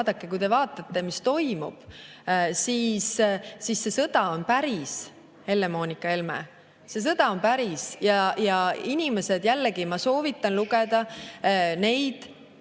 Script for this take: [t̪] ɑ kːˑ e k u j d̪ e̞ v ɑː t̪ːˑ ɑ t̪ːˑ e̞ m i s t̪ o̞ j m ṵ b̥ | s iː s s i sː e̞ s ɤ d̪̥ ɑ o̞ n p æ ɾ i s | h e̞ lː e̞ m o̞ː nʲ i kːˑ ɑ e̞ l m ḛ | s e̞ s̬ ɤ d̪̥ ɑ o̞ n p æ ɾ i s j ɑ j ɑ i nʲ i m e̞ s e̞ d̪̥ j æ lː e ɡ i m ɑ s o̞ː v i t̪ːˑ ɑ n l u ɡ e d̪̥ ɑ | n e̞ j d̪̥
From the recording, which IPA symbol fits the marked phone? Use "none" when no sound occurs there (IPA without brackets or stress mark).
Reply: d̪